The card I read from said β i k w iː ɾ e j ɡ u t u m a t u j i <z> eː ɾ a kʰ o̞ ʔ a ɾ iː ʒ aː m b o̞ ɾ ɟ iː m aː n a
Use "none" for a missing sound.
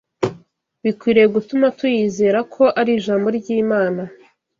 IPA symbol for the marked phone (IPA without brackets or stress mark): z